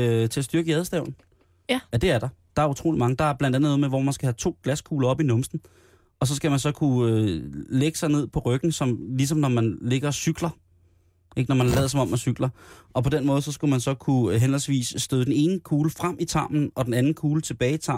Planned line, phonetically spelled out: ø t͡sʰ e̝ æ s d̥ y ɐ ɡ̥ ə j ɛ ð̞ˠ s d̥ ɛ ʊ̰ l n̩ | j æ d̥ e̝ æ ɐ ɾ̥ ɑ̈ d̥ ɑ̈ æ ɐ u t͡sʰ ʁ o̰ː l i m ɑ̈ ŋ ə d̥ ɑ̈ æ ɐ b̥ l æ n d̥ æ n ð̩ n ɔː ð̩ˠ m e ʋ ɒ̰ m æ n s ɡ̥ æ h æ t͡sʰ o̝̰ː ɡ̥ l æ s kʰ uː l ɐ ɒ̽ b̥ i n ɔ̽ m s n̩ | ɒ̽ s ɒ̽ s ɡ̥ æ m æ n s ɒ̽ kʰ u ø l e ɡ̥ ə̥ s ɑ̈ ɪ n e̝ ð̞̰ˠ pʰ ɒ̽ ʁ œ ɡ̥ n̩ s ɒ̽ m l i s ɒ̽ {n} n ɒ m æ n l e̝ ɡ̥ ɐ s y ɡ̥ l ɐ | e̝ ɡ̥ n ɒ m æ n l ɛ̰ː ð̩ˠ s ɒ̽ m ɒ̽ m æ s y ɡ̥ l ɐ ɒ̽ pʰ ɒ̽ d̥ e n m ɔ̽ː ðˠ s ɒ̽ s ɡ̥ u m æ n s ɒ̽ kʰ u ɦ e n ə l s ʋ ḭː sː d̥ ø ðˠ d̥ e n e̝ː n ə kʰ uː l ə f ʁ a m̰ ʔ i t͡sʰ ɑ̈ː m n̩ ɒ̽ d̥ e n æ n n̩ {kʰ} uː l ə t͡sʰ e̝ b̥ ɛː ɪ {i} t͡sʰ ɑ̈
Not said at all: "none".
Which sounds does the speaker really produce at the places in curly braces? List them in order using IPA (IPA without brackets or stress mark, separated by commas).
m, kʰ, i